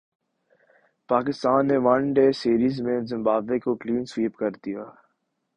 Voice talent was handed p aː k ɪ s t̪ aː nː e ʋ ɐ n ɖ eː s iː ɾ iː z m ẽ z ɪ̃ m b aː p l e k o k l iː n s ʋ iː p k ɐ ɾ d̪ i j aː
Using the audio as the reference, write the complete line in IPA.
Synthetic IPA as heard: p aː k ɪ s t̪ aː nː e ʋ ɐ n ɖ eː s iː ɾ iː z m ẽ z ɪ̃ m b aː b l e k o k l iː n s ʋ iː p k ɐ ɾ d̪ i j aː